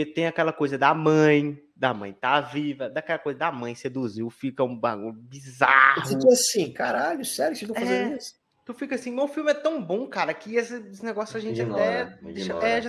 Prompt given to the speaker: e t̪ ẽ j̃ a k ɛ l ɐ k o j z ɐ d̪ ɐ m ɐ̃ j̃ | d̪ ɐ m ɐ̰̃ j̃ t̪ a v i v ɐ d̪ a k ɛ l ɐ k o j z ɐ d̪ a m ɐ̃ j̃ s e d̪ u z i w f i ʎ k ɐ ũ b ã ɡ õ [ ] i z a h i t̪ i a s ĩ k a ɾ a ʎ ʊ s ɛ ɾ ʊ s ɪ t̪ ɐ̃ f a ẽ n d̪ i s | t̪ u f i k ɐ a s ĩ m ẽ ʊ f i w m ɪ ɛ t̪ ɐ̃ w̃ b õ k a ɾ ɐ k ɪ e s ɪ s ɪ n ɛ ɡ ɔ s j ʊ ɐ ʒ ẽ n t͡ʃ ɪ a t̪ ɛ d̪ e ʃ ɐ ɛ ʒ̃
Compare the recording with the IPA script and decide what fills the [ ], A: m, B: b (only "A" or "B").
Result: B